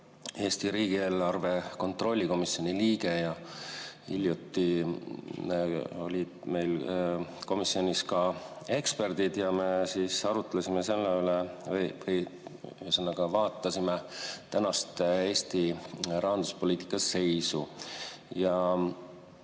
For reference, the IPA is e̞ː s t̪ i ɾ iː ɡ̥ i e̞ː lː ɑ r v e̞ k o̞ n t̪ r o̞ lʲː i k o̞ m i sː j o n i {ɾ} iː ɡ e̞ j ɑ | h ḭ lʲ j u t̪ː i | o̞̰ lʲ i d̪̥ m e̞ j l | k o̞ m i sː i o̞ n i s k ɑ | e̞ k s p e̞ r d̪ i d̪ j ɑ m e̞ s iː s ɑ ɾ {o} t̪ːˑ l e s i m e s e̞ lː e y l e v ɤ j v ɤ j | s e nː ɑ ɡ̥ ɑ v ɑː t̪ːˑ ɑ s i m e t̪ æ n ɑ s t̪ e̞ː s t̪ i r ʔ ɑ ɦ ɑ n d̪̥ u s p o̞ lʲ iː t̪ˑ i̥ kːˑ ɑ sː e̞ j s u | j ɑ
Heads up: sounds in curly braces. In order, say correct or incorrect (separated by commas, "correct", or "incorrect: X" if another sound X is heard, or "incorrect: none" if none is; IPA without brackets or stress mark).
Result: incorrect: l, incorrect: u